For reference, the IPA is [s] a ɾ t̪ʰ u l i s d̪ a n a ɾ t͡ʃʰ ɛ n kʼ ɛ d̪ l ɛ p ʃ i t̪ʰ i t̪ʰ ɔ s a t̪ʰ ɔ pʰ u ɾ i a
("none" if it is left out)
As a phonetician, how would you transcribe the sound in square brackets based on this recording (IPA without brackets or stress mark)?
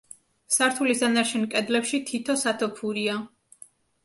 s